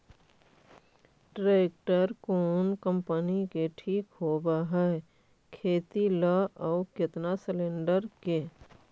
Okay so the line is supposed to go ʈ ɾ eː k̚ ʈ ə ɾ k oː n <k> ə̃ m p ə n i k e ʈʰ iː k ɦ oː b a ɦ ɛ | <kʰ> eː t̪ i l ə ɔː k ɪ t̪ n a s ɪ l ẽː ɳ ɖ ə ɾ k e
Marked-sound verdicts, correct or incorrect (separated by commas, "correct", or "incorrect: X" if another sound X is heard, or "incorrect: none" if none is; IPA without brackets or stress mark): correct, correct